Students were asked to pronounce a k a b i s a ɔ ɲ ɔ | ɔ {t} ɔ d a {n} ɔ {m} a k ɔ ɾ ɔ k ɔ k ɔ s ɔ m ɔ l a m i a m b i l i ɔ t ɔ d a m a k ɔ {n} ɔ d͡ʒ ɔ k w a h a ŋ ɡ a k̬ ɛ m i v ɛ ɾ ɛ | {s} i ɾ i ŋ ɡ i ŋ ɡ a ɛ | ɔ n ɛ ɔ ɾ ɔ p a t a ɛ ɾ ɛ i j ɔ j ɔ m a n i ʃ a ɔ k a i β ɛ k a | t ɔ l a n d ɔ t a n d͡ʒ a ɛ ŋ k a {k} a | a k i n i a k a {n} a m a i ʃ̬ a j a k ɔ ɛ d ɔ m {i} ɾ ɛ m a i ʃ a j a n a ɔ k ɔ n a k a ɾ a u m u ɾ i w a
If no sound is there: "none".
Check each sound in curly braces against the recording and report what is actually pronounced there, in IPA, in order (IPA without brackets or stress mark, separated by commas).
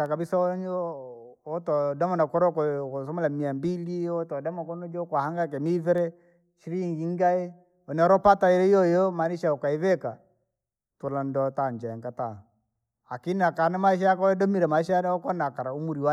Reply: t, m, n, n, ʃ, t, n, i